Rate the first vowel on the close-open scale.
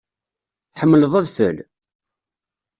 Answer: mid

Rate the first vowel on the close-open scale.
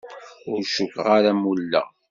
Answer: close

